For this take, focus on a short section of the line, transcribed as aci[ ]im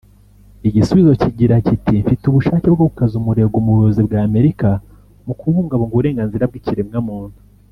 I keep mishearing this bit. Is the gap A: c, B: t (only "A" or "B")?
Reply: B